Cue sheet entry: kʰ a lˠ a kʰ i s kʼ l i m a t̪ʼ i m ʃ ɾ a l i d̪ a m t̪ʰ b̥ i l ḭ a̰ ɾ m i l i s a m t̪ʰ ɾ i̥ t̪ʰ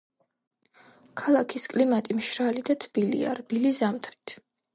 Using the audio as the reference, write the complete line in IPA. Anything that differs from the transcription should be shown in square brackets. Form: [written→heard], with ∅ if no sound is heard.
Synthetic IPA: kʰ a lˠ a kʰ i s kʼ l i m a t̪ʼ i m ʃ ɾ a l i d̪ a [m→∅] t̪ʰ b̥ i l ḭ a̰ ɾ [m→b] i l i [s→z] a m t̪ʰ ɾ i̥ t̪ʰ